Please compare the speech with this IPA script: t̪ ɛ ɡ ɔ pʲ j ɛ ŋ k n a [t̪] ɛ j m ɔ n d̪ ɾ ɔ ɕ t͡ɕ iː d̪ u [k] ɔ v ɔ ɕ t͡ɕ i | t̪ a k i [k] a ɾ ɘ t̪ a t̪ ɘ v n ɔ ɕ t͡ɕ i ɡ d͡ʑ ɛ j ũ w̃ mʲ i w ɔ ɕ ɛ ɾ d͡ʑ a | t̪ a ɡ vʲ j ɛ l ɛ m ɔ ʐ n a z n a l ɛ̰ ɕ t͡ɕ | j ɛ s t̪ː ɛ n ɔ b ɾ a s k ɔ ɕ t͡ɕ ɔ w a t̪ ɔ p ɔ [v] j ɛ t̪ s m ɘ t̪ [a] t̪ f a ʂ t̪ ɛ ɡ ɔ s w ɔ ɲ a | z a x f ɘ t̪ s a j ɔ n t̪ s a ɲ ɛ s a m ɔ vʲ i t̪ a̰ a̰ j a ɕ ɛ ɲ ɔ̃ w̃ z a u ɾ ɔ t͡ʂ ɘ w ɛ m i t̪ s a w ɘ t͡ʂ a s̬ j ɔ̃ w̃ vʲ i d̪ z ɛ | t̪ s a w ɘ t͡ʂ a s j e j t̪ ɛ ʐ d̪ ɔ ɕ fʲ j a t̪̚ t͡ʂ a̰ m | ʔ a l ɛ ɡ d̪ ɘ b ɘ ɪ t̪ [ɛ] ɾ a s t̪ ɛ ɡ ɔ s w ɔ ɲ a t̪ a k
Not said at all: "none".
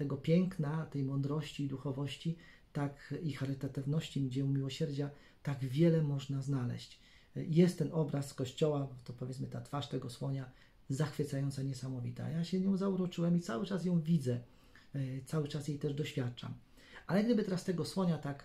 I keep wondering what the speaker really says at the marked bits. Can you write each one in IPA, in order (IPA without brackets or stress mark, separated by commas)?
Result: t̪, x, x, v, a, ɛ